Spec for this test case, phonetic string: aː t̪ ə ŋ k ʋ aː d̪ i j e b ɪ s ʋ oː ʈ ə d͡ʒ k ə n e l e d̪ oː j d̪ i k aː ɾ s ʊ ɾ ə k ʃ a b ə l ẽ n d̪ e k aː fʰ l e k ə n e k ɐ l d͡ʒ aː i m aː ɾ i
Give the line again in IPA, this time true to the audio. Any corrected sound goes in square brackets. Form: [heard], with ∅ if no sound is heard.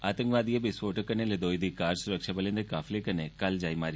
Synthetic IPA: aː t̪ ə ŋ k ʋ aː d̪ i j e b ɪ s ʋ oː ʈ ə [∅] k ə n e l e d̪ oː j d̪ i k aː ɾ s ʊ ɾ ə k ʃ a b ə l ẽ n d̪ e k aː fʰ l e k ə n e k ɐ l d͡ʒ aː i m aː ɾ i